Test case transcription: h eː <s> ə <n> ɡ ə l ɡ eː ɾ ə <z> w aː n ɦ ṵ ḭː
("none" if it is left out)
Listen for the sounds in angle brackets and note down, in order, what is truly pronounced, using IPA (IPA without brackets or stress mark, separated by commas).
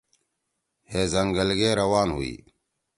z, ŋ, none